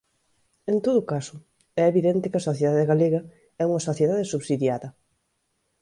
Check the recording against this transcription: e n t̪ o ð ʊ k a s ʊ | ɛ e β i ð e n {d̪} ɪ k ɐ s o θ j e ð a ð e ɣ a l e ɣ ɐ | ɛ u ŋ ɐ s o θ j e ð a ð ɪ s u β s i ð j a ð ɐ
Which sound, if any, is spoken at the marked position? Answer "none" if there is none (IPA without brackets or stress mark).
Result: t̪